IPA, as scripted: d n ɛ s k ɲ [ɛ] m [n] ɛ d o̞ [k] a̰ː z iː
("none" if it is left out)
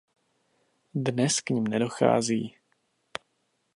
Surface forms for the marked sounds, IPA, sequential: i, n, x

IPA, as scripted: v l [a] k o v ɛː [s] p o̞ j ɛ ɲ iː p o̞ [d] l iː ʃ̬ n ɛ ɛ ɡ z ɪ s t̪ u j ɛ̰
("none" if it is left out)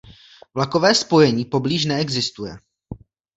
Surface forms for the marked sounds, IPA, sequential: a, s, b

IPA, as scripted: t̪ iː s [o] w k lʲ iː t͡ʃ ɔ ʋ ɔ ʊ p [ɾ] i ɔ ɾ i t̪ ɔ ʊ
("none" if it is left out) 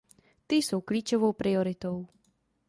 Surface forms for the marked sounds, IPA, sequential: u, ɾ

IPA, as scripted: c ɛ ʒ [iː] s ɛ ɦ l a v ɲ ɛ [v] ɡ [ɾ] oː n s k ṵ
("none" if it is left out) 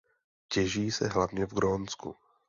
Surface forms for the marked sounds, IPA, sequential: iː, v, ɾ

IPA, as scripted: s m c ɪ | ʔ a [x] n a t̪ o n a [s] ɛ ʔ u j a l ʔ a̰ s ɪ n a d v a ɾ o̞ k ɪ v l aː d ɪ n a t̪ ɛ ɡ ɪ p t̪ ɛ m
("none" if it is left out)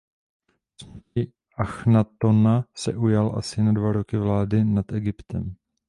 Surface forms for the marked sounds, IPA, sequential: x, s

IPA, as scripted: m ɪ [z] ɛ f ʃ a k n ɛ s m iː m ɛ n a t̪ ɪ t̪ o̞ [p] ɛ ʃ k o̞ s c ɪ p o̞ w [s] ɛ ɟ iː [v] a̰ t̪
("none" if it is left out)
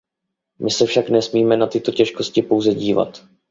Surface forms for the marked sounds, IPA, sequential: s, c, z, v

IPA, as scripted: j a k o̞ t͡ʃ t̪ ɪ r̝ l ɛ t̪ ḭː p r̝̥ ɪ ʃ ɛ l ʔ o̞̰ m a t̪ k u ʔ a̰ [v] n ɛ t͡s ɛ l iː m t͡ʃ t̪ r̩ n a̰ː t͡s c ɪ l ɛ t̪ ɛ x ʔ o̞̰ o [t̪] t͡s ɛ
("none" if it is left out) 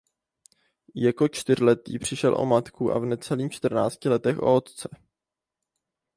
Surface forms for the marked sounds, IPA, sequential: v, t̪

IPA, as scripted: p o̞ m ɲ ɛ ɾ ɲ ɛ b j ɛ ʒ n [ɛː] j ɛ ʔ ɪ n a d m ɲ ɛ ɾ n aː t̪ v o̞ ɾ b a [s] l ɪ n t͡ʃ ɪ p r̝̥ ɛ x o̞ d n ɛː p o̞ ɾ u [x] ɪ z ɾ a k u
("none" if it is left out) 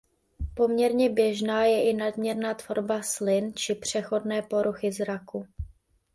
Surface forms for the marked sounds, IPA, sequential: aː, s, x

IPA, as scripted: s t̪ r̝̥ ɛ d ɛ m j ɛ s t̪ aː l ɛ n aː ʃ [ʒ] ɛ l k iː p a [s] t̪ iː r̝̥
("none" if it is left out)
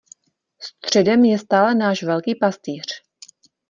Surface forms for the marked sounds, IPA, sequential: v, s

